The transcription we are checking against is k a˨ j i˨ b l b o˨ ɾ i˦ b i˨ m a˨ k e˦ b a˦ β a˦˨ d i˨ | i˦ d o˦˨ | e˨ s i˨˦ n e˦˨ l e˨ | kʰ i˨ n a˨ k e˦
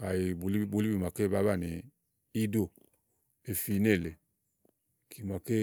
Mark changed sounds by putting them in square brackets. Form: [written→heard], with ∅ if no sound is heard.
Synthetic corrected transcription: k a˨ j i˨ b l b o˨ [ɾ→l] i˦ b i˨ m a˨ k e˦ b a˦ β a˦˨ [d→n] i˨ | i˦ d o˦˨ | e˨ [s→f] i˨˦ n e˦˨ l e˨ | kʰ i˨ [n→m] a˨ k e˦